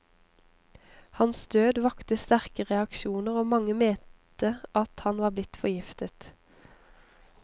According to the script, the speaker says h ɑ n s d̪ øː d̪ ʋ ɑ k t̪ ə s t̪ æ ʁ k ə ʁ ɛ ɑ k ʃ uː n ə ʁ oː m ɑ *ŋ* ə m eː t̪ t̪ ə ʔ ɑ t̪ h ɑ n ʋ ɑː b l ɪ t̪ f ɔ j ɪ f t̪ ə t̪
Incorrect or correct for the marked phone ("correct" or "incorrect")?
correct